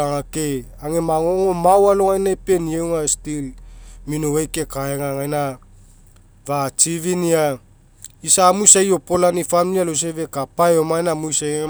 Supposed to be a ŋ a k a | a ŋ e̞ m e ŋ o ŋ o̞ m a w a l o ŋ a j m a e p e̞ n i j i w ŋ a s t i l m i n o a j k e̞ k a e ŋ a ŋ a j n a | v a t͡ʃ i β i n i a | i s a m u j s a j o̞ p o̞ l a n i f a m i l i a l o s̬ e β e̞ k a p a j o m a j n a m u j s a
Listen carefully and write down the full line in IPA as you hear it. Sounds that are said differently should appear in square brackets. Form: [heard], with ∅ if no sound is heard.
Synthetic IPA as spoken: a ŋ a k [e] | a ŋ e̞ m [a] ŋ o ŋ o̞ m a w a l o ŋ a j [n] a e p e̞ n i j [e] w ŋ a s t i l m i n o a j k e̞ k a e ŋ a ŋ a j n a | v a t͡ʃ i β i n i a | i s a m u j s a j o̞ p o̞ l a n i f a m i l i a l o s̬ e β e̞ k a p a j o m a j n a m u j s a